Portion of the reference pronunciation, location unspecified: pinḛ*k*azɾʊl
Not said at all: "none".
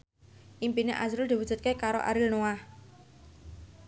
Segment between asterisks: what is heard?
ʔ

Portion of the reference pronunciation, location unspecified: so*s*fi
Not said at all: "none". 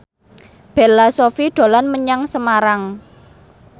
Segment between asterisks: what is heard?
none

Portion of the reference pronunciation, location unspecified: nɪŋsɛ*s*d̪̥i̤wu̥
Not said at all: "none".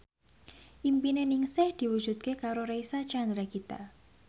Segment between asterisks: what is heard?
h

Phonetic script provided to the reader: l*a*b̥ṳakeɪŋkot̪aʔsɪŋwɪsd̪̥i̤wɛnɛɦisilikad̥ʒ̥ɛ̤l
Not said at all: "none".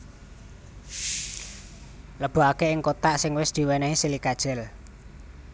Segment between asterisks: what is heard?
ə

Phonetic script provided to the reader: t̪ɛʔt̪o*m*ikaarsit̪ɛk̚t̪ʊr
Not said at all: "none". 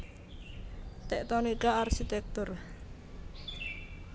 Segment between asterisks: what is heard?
n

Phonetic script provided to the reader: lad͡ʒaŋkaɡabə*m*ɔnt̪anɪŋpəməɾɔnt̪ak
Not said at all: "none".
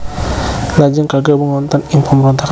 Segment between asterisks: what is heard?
ŋ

